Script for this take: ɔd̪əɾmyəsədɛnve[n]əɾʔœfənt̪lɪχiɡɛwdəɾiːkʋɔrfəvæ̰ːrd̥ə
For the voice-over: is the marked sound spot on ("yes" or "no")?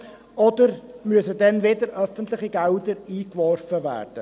no